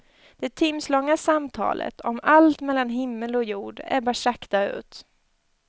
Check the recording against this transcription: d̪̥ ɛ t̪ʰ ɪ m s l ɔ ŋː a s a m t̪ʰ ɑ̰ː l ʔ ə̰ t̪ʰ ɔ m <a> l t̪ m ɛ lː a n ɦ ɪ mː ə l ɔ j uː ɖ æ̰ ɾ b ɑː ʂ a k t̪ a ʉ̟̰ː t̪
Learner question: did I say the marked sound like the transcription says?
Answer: yes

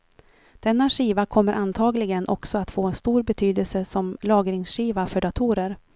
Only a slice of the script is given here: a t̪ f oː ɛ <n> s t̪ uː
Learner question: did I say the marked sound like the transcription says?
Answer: yes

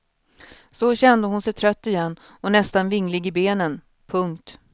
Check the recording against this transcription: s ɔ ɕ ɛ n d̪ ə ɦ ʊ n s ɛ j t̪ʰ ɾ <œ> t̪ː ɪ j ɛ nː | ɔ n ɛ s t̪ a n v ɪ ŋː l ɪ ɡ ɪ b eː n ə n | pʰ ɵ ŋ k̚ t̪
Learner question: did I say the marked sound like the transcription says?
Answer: yes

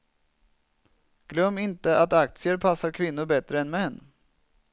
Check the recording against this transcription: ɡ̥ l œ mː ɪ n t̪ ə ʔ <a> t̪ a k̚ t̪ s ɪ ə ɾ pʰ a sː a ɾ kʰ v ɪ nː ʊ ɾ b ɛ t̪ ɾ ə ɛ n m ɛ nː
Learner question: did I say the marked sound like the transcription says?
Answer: yes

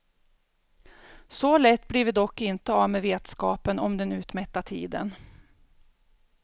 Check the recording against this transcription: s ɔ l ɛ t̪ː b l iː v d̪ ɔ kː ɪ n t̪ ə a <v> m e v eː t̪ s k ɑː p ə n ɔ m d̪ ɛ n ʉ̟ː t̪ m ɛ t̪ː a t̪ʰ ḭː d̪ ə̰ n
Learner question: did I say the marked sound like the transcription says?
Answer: yes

